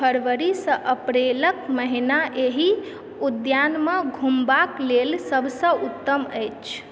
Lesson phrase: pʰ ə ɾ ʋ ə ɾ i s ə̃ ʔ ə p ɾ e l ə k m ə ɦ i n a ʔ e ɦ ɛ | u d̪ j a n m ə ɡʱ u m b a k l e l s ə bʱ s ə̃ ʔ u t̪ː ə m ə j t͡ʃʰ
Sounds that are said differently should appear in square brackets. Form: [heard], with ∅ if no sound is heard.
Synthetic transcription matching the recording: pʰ ə ɾ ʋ ə ɾ i s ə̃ ʔ ə p ɾ e l ə k m ə ɦ i n a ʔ e ɦ [i] | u d̪ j a n m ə ɡʱ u m b a k l e l s ə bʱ s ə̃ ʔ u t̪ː ə m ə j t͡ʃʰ

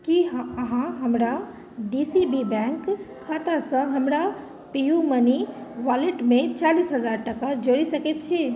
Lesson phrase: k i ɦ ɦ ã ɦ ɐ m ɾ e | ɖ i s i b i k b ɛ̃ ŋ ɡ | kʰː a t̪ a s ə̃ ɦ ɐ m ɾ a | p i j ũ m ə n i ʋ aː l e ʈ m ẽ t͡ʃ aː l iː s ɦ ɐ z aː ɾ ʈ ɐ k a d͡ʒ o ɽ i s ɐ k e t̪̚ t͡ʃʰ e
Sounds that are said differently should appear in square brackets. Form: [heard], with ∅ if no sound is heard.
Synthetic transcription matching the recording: k i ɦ ɦ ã ɦ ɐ m ɾ [a] | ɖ i s i b i [∅] b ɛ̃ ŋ [k] | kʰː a t̪ a s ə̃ ɦ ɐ m ɾ a | p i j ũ m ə n i ʋ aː l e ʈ m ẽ t͡ʃ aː l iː s ɦ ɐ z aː ɾ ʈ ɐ k a d͡ʒ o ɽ i s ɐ k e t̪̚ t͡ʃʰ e

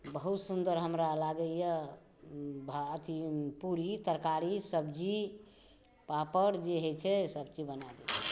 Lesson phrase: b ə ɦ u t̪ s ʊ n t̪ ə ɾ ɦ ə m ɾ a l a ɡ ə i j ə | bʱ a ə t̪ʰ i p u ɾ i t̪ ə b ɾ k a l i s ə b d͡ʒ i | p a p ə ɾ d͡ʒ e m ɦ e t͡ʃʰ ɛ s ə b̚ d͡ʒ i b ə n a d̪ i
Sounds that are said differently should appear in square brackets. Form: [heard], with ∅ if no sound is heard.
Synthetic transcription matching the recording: b ə ɦ u t̪ s [u] n [d̪] ə ɾ ɦ ə m ɾ a l a ɡ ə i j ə | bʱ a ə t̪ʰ i p u ɾ i t̪ ə [∅] ɾ k a [ɾ] i s ə b d͡ʒ i | p a p ə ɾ d͡ʒ e [∅] ɦ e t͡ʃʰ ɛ s ə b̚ d͡ʒ i b ə n a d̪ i

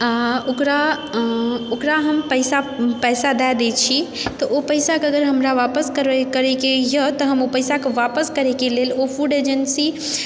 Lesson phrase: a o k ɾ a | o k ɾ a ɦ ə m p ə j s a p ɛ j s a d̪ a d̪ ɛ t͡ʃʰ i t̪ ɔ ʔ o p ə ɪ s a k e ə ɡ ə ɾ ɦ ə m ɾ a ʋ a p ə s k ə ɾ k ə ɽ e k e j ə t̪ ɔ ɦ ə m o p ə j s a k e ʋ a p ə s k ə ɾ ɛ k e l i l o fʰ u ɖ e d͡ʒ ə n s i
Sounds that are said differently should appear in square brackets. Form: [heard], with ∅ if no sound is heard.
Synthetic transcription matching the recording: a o k ɾ a | o k ɾ a ɦ ə m p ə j s a p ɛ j s a d̪ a d̪ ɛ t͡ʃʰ i t̪ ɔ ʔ o p ə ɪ s a k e ə ɡ ə ɾ ɦ ə m ɾ a ʋ a p ə s k ə ɾ k ə [ɾ] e k e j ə t̪ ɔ ɦ ə m o p ə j s a k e ʋ a p ə s k ə ɾ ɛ k e l [e] l o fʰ u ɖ e d͡ʒ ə n s i

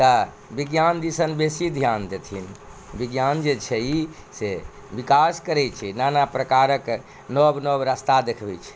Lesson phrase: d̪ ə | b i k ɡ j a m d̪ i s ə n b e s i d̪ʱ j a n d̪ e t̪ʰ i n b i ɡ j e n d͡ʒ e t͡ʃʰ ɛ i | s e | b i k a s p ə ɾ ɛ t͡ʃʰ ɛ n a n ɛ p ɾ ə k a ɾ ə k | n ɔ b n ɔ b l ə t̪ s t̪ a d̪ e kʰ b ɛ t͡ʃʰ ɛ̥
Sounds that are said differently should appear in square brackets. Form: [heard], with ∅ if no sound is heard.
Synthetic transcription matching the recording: [t̪] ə | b i [∅] ɡ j a [n] d̪ i s ə n b e s i d̪ʱ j a n d̪ e t̪ʰ i n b i ɡ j [a] n d͡ʒ e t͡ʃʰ ɛ i | s e | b i k a s [k] ə ɾ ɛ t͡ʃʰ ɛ n a n [a] p ɾ ə k a ɾ ə k | n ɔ b n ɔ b [ɾ] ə [∅] s t̪ a d̪ e kʰ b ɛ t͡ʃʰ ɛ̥

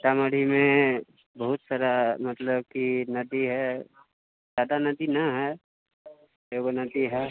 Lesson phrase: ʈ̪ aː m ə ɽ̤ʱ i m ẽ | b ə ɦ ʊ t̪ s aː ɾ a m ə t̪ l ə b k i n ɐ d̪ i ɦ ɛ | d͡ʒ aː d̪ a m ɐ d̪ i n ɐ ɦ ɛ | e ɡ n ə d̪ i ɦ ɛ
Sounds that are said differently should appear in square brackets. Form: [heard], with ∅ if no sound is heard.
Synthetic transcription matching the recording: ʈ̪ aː m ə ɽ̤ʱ i m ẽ | b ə ɦ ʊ t̪ s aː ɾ a m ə t̪ l ə b k i n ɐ d̪ i ɦ ɛ | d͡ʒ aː d̪ a [n] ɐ d̪ i n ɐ ɦ ɛ | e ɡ n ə d̪ i ɦ ɛ

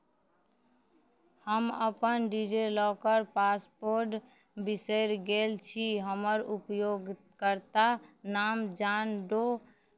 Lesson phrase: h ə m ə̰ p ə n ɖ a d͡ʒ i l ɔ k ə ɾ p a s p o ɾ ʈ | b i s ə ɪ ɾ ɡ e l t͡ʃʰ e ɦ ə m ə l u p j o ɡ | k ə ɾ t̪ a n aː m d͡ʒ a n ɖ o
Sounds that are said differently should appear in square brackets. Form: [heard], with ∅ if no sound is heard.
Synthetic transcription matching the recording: h ə m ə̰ p ə n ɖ [i] d͡ʒ [e] l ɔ k ə ɾ p a s p o ɾ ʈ | b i s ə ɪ ɾ ɡ e l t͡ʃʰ [i] ɦ ə m ə [ɾ] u p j o ɡ | k ə ɾ t̪ a n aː m d͡ʒ a n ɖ o

